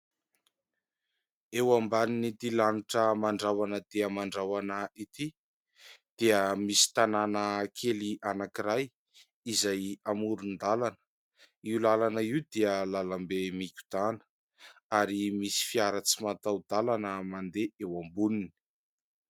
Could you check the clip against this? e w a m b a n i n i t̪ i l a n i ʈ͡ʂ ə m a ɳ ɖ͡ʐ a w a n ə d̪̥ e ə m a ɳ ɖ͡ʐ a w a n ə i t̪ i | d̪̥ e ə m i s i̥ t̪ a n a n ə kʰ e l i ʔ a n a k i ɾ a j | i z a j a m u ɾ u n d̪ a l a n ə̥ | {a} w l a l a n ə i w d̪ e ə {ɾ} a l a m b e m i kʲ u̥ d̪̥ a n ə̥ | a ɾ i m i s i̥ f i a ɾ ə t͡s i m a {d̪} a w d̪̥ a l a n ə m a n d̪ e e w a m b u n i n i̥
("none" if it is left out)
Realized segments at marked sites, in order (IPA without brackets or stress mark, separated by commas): i, l, t̪